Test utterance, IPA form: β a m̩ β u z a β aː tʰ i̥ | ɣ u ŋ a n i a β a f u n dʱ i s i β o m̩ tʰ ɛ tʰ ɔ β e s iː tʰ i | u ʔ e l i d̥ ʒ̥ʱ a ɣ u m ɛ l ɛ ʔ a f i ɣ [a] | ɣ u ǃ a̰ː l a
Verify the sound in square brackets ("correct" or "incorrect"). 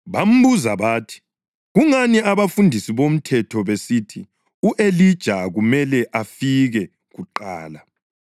incorrect